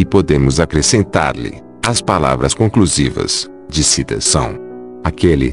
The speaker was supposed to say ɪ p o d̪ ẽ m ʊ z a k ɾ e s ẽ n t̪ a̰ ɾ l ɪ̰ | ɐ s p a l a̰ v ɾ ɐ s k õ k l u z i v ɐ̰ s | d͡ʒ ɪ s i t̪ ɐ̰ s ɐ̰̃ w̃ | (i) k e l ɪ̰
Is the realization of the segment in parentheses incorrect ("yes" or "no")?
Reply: yes